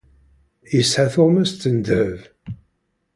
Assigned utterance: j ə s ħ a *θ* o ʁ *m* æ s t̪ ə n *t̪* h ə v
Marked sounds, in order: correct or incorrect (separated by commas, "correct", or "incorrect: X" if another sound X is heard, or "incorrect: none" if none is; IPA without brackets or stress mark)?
correct, correct, incorrect: d̪